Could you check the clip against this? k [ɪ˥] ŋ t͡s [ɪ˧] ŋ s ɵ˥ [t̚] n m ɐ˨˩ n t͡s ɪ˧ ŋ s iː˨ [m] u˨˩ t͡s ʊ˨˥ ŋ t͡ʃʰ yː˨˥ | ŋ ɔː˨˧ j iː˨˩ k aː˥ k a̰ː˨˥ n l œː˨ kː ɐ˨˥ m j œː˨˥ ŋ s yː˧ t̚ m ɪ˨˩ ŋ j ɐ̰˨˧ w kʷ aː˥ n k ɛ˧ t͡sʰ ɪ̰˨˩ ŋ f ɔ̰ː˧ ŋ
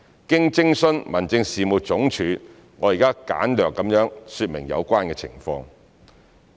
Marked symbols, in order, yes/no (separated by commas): yes, no, no, yes